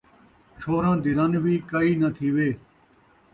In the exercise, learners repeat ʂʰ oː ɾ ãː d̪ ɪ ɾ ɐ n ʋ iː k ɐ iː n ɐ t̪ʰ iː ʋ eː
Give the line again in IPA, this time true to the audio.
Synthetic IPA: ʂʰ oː ɾ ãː d̪ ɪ ɾ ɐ n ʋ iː k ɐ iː n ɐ t̪ʰ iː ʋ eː